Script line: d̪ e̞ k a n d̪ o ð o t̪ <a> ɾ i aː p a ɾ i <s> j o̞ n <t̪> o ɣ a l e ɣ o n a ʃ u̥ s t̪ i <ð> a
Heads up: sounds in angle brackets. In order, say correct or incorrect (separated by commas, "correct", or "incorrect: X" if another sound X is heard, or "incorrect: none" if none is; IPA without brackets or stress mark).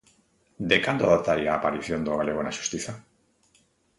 correct, incorrect: θ, incorrect: d̪, incorrect: θ